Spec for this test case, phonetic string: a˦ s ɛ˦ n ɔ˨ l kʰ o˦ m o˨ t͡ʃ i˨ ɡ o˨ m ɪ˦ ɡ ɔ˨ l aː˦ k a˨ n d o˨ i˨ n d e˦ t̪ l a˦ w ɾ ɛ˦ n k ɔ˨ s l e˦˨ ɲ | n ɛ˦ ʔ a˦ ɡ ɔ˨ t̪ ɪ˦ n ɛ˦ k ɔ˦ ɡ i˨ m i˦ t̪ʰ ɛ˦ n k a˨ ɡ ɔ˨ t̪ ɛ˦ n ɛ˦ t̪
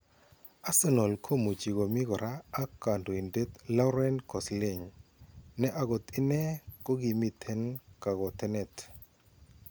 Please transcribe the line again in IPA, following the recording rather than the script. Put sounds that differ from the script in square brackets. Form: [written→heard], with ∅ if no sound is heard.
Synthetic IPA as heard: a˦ s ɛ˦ n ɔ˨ l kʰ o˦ m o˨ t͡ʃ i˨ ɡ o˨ m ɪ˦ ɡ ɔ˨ [l→ɾ] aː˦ k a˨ n d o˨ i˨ n d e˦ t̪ l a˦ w ɾ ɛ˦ n k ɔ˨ s l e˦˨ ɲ | n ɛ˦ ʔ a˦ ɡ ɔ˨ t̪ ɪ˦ n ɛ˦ k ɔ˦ ɡ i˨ m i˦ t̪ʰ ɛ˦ n k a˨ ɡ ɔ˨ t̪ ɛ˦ n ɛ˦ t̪